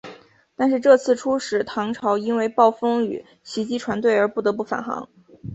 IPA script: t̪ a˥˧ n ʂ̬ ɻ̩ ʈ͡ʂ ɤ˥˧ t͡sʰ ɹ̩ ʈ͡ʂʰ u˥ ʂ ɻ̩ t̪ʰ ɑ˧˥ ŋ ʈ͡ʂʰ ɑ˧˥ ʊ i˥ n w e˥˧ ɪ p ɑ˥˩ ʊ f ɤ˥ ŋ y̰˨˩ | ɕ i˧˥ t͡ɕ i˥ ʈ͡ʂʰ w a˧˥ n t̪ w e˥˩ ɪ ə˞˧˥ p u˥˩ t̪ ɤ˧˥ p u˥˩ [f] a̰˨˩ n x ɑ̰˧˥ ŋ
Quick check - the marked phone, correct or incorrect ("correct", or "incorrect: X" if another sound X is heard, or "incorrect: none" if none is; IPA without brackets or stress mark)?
correct